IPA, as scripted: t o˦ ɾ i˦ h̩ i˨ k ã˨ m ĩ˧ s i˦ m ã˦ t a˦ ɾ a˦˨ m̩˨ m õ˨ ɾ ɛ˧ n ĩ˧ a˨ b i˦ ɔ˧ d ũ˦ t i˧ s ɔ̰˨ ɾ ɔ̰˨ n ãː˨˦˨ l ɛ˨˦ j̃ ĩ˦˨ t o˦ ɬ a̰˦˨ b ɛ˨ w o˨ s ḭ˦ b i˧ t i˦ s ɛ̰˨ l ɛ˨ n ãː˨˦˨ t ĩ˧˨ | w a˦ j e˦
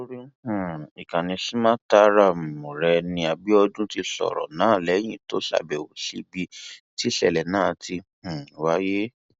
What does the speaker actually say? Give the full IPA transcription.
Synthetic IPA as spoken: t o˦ ɾ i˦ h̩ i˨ k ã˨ n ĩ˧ s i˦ m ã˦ t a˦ ɾ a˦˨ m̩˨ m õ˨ ɾ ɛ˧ n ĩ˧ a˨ b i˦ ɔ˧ d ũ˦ t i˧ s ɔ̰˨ ɾ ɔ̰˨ n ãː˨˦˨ l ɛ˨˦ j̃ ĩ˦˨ t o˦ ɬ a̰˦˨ b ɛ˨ w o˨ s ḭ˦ b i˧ t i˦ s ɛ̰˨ l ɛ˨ n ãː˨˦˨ t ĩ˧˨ | w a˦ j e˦